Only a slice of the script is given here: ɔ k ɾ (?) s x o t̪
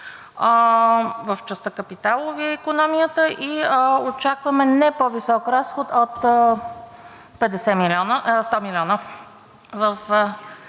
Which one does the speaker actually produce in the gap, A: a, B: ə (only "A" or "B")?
A